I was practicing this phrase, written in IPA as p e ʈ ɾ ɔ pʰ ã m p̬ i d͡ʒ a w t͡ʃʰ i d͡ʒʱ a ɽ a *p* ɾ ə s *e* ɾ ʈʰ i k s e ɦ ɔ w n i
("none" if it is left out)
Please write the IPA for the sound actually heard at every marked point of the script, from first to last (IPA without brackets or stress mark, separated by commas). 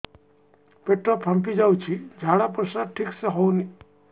p, a